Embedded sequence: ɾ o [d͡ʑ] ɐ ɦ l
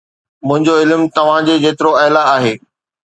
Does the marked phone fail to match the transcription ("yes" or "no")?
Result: yes